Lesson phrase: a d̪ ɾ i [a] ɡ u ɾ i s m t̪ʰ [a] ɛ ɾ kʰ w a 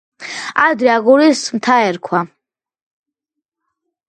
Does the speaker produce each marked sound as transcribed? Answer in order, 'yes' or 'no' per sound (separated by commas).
yes, yes